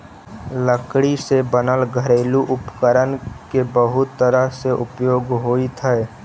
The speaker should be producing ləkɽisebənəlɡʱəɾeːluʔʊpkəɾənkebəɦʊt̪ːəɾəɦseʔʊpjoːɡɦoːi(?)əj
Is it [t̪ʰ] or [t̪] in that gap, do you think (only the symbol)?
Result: t̪ʰ